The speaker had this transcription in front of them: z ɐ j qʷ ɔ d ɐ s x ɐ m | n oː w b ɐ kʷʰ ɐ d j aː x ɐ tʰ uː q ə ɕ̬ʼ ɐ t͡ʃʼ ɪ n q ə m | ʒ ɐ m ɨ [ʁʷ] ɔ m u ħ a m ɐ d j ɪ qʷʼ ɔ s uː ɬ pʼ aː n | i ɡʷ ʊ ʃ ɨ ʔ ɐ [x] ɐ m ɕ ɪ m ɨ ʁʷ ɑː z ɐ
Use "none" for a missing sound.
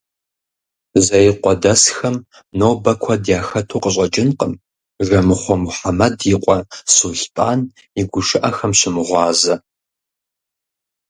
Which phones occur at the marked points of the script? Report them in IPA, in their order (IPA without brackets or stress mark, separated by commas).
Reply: χʷ, x